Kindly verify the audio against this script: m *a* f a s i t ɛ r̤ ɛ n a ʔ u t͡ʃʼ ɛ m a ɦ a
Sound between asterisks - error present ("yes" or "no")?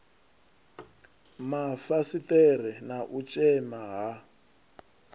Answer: no